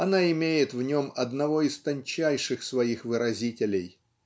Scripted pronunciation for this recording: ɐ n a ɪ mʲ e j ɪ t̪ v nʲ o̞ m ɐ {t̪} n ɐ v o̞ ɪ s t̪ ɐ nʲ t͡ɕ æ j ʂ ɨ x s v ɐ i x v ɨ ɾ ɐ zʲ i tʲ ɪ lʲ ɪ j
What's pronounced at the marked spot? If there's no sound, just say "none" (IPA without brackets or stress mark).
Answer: d̪